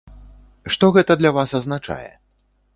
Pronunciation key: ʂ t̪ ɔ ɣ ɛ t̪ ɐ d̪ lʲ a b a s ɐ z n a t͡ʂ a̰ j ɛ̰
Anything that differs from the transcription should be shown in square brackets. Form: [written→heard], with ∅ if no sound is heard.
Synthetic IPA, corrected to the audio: ʂ t̪ ɔ ɣ ɛ t̪ ɐ d̪ lʲ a [b→v] a s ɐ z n a t͡ʂ a̰ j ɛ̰